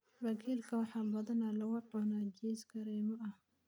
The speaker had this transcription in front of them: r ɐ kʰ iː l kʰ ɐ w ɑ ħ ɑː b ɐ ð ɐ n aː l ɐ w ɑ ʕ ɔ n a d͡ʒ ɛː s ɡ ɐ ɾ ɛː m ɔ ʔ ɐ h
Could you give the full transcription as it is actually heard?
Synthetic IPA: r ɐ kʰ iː l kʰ ɐ w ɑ ħ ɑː b ɐ ð ɐ n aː l ɐ w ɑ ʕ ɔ n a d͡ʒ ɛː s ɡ ɐ ɾ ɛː m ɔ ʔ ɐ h